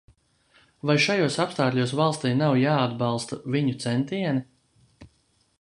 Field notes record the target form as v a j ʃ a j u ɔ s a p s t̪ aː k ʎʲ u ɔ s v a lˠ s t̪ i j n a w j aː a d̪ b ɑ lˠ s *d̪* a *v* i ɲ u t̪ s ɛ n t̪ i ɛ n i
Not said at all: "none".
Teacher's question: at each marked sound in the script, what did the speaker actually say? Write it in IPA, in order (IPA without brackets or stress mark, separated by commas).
t̪, v